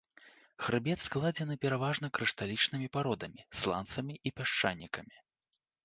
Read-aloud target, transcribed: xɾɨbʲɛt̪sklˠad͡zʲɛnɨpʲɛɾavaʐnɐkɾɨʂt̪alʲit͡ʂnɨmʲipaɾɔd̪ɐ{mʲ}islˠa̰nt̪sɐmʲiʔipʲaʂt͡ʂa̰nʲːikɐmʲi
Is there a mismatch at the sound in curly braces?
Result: no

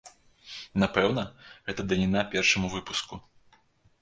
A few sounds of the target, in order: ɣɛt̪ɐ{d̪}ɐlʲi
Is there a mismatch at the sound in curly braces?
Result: no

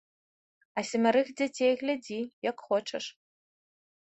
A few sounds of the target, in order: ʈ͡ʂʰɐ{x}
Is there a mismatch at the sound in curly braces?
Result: yes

